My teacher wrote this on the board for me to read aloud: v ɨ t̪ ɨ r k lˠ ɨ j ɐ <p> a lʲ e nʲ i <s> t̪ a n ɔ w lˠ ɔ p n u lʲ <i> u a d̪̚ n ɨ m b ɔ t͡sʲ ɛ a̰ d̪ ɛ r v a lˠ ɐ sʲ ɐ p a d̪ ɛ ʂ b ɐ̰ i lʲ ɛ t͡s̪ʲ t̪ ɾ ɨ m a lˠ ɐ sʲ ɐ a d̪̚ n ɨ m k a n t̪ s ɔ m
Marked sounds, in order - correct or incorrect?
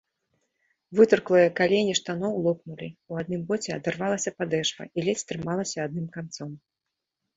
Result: incorrect: k, incorrect: ʂ, correct

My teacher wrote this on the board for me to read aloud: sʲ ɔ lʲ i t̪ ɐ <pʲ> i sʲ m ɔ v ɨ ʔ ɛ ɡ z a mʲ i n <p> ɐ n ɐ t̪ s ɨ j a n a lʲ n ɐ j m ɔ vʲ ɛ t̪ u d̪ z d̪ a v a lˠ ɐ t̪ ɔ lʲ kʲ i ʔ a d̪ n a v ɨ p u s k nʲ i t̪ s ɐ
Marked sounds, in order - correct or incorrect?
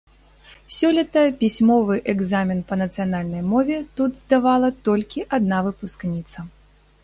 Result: correct, correct

